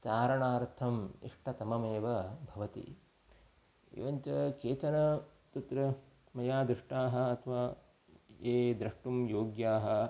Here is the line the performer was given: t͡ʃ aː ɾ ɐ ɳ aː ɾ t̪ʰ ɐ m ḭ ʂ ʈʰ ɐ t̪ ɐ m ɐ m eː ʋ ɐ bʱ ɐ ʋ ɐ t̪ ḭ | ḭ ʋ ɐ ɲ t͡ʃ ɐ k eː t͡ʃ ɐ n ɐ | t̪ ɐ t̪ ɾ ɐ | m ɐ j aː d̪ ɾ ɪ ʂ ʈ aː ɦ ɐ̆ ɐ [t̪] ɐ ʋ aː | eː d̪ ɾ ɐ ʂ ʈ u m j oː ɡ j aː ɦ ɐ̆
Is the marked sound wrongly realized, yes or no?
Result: yes